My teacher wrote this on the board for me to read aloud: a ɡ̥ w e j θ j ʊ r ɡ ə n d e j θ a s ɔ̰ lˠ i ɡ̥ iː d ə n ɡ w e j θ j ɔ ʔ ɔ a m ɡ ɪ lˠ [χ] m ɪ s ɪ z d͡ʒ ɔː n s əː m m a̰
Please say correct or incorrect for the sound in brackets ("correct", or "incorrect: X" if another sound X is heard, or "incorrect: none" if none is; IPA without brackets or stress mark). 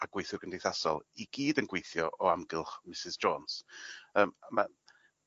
correct